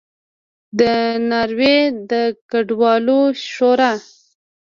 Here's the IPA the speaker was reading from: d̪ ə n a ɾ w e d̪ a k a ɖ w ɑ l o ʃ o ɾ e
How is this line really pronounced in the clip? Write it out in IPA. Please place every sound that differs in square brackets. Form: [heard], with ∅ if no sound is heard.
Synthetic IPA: d̪ ə n a ɾ w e d̪ [ə] k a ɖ w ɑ l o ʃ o ɾ [a]